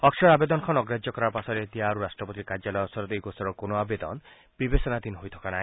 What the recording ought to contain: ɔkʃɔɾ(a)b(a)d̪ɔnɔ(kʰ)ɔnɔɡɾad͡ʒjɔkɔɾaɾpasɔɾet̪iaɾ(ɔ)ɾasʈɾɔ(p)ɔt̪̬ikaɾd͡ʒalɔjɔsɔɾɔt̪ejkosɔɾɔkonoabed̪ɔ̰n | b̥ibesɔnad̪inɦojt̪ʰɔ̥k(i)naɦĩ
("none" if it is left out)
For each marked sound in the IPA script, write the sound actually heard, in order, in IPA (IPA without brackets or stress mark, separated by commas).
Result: a, e, kʰ, u, p, a